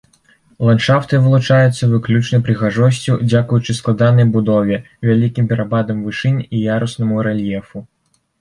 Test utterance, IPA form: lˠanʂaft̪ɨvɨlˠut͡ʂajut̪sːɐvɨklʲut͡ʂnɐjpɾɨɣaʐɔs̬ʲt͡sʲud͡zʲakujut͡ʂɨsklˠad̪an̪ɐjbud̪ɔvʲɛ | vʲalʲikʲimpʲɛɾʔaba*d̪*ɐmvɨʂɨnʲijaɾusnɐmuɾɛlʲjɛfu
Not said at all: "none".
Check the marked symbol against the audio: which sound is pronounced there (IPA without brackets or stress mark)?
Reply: d̪